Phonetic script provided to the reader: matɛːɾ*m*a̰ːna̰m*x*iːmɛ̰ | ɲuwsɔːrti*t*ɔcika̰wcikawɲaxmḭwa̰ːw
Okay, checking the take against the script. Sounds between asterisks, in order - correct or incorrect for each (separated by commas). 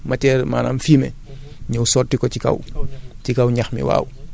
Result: correct, incorrect, incorrect